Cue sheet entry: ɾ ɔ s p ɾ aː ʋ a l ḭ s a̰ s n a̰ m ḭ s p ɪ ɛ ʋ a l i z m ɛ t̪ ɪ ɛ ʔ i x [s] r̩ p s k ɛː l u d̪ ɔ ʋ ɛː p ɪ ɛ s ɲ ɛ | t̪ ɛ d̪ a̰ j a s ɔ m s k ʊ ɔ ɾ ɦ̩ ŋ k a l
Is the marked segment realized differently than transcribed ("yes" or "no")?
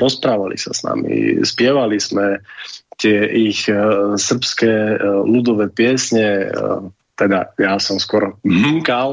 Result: no